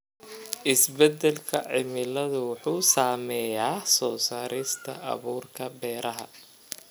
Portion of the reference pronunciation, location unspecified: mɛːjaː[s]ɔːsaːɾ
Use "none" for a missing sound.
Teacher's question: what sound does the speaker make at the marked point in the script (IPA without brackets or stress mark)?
s